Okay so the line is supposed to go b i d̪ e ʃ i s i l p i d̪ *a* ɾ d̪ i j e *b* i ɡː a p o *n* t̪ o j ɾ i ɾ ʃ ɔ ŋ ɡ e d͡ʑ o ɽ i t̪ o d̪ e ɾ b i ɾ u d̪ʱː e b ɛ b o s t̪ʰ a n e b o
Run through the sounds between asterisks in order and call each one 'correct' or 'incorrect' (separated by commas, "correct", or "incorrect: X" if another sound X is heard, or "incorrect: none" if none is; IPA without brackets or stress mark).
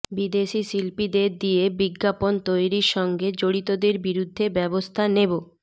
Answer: incorrect: e, correct, correct